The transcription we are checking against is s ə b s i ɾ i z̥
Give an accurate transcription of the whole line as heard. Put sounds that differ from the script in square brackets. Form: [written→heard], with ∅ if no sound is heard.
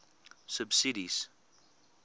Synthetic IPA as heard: s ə b s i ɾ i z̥